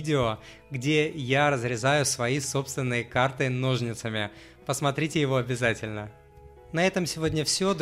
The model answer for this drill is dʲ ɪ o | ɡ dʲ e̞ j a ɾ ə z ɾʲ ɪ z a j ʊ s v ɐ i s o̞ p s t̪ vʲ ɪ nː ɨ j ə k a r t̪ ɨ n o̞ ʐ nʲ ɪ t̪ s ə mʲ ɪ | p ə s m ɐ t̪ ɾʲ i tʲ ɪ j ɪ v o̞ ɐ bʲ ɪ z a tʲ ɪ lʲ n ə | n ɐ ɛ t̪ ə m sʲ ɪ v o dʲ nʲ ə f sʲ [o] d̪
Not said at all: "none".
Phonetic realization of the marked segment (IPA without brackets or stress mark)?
o